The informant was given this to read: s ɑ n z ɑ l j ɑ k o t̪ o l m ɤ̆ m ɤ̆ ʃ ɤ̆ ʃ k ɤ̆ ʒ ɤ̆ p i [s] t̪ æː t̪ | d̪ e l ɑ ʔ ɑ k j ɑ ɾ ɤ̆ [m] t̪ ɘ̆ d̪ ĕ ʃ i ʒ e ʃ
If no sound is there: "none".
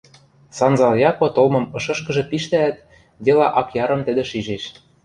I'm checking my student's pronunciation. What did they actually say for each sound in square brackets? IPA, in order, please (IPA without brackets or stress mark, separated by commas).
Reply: ʃ, m